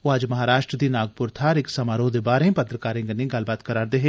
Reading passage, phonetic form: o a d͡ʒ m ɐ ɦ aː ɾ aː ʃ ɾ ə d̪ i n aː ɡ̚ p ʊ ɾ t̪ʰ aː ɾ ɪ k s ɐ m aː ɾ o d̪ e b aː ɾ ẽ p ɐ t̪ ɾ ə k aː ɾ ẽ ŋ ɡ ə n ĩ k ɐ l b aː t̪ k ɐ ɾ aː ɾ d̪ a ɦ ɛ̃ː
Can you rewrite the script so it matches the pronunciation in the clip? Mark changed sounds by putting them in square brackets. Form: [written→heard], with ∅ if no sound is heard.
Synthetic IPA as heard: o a d͡ʒ m ɐ ɦ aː ɾ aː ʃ ɾ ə d̪ i n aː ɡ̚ p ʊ ɾ t̪ʰ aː ɾ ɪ k s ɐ m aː ɾ o d̪ e b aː ɾ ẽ p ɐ t̪ ɾ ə k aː ɾ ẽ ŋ ɡ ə n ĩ [k→ɡ] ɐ l b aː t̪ k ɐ ɾ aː ɾ d̪ [a→e] ɦ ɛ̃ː